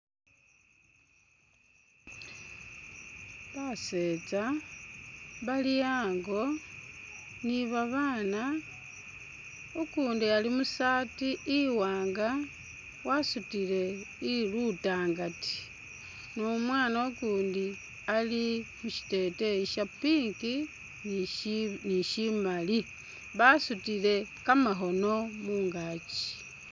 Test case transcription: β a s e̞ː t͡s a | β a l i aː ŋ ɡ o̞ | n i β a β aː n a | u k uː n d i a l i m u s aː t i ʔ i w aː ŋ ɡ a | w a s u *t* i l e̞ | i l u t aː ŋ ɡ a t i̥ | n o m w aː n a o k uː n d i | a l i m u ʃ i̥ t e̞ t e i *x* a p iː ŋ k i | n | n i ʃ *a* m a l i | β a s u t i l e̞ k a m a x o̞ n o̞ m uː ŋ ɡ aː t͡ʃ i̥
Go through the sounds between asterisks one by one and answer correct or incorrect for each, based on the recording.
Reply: correct, incorrect: ʃ, incorrect: i

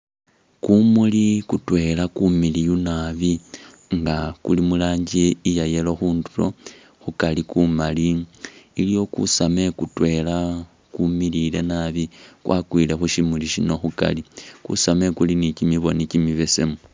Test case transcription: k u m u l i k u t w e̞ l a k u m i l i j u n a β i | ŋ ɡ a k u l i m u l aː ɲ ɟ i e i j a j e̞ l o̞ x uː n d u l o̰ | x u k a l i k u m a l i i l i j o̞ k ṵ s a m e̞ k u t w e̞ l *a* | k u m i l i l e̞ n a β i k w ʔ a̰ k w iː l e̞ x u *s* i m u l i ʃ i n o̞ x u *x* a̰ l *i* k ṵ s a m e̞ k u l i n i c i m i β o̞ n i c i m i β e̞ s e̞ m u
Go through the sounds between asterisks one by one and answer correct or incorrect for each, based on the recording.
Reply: correct, incorrect: ʃ, incorrect: k, correct

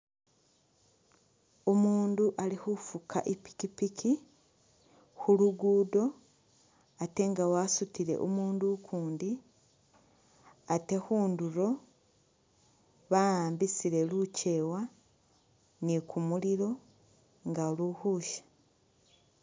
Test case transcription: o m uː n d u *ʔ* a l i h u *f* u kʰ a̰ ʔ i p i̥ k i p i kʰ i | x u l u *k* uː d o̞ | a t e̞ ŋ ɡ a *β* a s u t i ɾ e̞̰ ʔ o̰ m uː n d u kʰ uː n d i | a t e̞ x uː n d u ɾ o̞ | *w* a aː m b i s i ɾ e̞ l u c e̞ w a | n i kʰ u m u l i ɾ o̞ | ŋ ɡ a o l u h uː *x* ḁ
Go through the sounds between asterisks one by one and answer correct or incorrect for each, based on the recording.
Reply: correct, correct, incorrect: ɡ, incorrect: w, incorrect: β, incorrect: ʃ

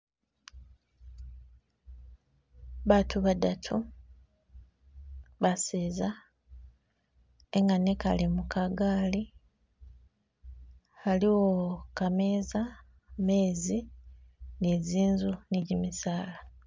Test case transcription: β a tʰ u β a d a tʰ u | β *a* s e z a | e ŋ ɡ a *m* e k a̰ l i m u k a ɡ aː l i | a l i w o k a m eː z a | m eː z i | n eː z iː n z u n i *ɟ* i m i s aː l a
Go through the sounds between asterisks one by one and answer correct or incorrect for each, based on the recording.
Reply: correct, incorrect: n, correct

